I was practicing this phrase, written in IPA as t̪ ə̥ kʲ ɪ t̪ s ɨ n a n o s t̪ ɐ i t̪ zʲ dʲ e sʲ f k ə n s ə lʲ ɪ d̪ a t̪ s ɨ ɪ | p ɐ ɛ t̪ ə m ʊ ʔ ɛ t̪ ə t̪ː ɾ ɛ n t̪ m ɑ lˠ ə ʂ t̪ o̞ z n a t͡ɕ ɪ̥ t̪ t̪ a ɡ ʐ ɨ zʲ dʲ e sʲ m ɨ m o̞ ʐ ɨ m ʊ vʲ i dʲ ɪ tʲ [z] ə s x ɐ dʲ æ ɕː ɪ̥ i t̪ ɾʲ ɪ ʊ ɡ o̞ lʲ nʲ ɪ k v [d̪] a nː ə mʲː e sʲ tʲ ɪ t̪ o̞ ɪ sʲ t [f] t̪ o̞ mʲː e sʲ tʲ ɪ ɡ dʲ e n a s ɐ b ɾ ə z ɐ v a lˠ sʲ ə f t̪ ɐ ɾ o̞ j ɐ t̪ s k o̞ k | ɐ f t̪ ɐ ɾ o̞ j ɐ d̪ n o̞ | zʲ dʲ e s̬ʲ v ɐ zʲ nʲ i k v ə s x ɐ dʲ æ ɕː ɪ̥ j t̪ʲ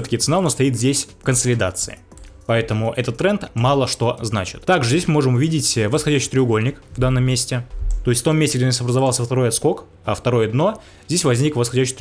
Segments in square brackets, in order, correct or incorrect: incorrect: v, correct, correct

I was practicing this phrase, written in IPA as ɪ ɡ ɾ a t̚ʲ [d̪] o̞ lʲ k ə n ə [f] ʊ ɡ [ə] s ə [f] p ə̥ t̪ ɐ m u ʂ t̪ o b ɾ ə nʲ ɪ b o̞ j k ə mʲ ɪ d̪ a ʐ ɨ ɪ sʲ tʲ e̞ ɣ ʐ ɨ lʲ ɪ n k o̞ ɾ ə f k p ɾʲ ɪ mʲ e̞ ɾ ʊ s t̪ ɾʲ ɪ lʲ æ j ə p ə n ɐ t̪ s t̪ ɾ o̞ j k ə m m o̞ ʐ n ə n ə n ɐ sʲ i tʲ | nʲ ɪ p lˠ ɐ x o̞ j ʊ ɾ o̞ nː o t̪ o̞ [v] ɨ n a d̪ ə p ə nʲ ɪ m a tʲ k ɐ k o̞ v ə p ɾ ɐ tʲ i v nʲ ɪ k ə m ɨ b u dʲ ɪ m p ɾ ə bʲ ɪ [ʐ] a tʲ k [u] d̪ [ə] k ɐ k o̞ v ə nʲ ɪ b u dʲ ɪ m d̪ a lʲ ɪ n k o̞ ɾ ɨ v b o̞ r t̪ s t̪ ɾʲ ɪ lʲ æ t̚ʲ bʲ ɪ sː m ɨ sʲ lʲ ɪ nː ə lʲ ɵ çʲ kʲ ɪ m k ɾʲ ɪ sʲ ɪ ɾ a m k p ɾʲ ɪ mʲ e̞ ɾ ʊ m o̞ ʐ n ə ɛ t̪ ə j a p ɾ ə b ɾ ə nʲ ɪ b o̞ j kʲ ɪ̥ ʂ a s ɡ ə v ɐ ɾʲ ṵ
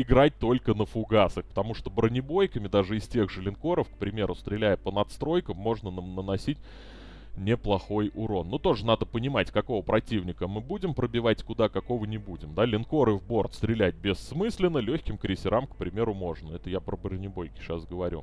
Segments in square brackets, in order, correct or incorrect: incorrect: t̪, correct, incorrect: a, incorrect: x, incorrect: ʐ, incorrect: v, incorrect: ʊ, incorrect: a

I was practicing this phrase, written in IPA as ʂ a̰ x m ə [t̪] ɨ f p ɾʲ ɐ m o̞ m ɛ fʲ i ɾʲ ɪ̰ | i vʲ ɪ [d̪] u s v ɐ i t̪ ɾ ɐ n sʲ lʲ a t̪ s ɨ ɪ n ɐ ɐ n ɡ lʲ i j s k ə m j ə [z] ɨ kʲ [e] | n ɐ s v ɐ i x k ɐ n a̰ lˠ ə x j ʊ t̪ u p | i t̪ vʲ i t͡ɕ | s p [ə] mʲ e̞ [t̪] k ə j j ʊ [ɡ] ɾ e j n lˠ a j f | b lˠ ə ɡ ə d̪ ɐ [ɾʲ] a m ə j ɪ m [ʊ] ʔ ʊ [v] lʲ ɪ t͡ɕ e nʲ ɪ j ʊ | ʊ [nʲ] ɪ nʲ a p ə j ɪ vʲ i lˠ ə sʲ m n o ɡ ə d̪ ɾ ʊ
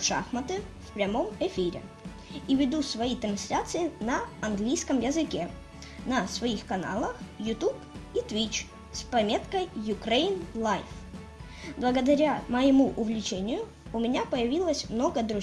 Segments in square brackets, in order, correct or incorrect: correct, correct, correct, correct, incorrect: ɐ, correct, incorrect: k, correct, incorrect: u, correct, incorrect: mʲ

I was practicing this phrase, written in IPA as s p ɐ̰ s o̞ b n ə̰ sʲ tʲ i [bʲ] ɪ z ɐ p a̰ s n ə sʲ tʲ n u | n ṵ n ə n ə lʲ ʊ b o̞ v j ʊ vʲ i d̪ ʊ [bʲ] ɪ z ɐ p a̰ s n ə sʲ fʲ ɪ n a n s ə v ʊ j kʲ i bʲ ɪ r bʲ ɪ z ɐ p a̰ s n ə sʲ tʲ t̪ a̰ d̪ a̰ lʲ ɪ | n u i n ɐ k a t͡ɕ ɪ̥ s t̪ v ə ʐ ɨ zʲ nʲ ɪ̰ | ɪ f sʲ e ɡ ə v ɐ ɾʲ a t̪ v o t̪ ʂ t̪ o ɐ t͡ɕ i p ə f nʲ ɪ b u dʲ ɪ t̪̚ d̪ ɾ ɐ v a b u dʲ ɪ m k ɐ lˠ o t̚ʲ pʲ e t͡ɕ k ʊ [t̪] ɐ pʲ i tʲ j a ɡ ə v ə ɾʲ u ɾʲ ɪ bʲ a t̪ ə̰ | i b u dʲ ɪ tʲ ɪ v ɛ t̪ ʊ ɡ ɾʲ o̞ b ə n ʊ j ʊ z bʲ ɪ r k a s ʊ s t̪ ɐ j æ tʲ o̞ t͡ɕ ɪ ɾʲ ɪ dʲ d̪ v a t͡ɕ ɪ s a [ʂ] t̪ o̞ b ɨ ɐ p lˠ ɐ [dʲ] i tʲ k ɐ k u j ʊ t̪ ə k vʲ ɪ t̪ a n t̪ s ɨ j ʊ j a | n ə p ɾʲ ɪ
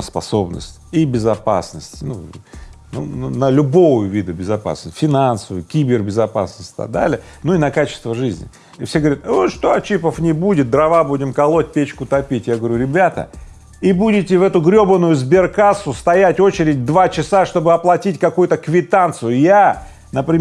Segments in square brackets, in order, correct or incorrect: correct, correct, correct, correct, incorrect: tʲ

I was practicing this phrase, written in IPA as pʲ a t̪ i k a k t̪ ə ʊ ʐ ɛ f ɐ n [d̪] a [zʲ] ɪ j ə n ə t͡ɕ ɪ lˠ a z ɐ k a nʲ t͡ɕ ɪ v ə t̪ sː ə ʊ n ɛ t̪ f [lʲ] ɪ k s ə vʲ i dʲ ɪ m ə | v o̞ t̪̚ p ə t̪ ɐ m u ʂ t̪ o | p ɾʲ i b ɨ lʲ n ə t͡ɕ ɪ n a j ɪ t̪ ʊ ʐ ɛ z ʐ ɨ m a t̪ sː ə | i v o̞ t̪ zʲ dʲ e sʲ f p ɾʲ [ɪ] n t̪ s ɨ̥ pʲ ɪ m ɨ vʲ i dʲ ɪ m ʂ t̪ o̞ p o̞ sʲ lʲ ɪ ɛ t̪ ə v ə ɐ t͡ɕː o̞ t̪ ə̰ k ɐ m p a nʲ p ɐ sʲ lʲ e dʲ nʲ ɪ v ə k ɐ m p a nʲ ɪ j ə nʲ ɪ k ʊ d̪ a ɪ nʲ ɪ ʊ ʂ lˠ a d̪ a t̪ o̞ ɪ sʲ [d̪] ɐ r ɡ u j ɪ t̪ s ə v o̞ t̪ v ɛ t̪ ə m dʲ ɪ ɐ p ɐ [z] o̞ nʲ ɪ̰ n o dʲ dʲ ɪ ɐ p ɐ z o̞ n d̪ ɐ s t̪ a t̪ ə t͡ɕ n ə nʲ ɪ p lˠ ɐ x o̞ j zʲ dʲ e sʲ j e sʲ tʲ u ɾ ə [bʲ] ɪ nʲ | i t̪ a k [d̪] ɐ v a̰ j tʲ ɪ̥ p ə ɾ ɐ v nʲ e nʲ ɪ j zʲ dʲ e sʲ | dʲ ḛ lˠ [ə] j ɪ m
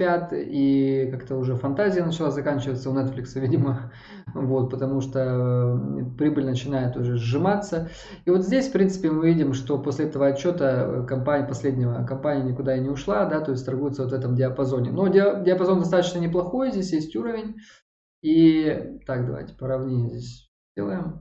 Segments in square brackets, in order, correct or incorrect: incorrect: t̪, correct, correct, incorrect: i, incorrect: t̪, correct, incorrect: vʲ, correct, correct

